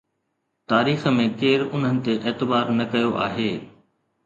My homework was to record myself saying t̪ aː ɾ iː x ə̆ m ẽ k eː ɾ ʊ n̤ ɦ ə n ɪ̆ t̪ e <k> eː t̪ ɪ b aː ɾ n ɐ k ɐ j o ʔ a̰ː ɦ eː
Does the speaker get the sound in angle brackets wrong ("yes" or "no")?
yes